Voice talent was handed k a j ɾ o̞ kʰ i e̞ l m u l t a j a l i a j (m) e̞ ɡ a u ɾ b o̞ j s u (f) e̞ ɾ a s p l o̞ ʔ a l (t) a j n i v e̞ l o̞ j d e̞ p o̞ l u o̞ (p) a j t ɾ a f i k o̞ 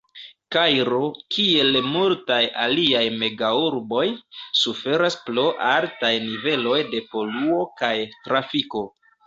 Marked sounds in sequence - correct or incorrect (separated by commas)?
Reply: correct, correct, correct, incorrect